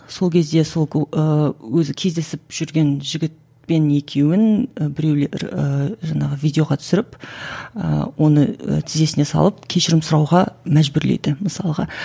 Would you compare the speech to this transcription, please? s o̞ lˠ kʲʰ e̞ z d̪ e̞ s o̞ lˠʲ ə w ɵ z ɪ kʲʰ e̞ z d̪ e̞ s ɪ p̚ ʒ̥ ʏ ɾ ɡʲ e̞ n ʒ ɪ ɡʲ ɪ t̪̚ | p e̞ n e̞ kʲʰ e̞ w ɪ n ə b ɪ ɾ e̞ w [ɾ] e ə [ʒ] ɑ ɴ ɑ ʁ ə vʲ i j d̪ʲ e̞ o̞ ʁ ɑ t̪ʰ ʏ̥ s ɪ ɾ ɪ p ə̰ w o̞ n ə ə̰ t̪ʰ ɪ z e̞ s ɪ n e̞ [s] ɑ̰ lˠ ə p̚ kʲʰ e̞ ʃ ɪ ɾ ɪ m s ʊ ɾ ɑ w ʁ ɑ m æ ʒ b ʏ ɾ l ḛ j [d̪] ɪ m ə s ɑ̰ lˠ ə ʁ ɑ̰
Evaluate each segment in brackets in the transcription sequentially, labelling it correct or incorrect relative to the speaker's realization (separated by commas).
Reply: incorrect, correct, correct, correct